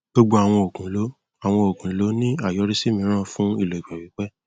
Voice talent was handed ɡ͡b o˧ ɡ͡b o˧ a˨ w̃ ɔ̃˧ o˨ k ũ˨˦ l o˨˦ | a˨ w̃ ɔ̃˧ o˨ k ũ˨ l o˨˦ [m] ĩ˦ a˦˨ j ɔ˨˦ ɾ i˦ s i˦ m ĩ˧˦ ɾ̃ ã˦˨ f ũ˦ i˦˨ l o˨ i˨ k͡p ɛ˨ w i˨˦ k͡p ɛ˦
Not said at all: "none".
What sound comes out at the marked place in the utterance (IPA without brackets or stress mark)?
n